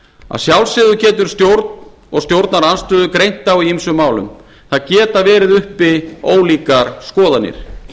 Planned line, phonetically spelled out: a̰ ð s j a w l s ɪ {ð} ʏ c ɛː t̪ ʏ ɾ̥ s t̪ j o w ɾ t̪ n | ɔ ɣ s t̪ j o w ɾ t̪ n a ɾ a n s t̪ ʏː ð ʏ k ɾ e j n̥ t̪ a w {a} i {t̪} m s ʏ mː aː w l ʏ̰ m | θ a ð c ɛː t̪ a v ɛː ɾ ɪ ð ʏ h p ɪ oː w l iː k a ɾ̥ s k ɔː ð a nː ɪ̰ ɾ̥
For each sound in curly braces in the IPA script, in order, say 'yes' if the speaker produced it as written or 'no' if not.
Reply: yes, no, no

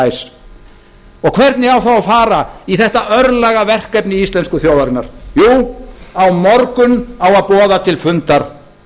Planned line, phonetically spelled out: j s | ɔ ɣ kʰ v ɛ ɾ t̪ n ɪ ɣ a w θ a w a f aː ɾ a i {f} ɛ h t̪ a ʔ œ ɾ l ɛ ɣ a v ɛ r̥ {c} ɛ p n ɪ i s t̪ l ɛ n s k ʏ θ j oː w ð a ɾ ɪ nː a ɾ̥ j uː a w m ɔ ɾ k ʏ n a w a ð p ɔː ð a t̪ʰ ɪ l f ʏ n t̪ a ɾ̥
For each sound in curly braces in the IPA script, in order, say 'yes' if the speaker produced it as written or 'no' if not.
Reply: no, no

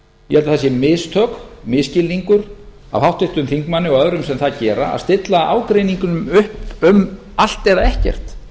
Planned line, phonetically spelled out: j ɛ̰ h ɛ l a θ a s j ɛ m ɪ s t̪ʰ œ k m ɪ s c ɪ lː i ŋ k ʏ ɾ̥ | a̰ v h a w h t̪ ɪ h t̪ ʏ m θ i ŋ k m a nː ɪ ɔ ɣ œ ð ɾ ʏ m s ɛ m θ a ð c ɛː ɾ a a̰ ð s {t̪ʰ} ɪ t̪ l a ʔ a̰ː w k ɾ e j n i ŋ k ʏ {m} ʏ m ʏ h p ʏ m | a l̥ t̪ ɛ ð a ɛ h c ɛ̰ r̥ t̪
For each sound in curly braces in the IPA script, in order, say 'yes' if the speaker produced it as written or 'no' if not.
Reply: no, no

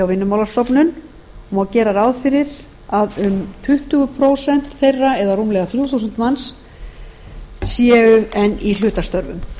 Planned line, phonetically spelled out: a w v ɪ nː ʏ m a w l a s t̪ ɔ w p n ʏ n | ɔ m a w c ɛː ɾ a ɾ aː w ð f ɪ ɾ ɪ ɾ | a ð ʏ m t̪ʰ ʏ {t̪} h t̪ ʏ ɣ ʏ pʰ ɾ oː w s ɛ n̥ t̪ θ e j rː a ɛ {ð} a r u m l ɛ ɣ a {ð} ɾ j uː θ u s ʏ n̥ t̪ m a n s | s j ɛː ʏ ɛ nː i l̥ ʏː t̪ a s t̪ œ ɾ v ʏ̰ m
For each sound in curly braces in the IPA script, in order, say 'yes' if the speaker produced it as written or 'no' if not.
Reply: no, yes, no

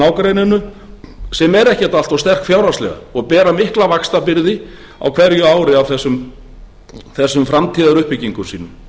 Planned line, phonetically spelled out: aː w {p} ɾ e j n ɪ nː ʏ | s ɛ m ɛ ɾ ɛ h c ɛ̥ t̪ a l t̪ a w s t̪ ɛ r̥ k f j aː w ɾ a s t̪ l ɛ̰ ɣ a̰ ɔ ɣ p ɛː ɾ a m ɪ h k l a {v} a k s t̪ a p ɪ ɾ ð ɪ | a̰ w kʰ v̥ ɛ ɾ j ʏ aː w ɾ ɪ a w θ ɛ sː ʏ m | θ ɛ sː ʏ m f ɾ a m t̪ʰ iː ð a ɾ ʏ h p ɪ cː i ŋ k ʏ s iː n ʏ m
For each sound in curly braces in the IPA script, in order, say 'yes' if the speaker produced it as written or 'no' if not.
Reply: no, yes

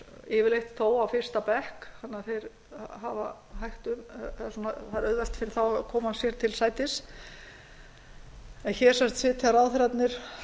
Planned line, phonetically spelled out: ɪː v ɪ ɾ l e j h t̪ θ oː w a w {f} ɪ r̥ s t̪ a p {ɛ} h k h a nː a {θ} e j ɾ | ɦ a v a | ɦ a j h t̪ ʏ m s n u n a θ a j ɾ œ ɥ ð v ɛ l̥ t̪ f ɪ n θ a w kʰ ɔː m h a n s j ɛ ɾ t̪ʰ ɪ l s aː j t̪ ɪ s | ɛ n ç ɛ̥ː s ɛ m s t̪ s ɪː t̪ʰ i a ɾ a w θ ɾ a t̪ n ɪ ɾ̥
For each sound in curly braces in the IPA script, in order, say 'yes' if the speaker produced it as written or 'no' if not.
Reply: yes, yes, yes

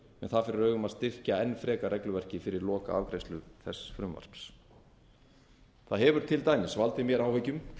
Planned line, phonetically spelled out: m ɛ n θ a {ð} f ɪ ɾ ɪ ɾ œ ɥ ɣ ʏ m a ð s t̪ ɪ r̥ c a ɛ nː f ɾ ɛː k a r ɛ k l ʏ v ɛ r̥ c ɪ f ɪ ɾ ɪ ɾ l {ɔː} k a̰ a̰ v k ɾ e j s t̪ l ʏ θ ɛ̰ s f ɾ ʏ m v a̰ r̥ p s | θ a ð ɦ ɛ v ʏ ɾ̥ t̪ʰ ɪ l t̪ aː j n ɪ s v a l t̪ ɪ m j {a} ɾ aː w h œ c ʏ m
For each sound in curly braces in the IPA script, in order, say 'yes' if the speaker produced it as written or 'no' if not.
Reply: yes, yes, no

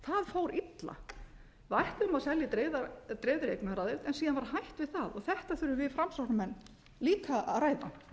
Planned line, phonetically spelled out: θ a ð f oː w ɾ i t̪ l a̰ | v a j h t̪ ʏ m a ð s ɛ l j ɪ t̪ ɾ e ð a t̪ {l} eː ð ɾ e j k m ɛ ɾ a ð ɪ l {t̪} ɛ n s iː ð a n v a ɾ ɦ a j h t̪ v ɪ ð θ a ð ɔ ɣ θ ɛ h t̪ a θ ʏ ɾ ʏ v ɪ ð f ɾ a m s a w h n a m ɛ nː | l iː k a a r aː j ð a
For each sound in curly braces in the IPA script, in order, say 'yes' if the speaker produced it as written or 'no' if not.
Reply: no, yes

